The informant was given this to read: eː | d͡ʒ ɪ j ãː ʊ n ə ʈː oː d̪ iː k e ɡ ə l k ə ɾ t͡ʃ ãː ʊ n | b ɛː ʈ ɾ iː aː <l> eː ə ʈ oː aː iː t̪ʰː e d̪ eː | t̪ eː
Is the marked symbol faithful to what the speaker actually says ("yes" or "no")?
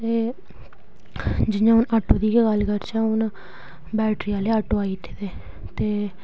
yes